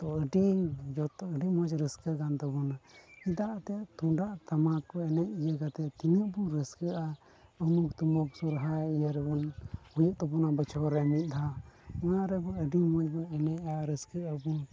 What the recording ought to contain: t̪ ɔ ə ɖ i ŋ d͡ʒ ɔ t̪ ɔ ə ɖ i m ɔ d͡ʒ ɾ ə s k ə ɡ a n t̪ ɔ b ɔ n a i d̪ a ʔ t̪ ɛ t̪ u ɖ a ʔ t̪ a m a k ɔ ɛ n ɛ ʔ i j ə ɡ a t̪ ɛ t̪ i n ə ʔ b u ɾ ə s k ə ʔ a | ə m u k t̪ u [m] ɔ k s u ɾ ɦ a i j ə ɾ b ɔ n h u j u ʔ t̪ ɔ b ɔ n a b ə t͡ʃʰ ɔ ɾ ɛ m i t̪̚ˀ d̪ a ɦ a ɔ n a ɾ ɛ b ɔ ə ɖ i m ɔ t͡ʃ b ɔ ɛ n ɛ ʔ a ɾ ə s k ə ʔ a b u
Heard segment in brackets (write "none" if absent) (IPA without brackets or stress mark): m